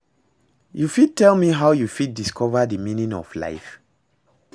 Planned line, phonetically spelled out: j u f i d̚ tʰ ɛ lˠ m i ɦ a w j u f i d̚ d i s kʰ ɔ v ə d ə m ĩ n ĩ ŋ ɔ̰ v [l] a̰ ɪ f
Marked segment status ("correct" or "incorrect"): correct